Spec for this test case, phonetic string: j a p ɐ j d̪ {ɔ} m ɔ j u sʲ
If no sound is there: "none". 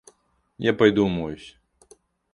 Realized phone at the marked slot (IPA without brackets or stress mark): u